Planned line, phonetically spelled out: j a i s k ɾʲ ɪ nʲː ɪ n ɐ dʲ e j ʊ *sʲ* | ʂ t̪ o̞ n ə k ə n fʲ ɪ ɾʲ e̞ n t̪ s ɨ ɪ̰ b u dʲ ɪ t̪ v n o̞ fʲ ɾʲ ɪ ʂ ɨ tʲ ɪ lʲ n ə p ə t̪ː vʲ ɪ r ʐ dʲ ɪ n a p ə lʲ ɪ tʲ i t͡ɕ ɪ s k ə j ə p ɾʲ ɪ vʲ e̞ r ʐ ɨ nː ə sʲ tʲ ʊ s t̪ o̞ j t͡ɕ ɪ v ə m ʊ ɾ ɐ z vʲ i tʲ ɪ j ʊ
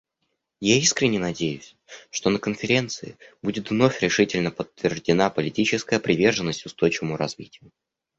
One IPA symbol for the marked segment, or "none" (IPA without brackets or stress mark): sʲ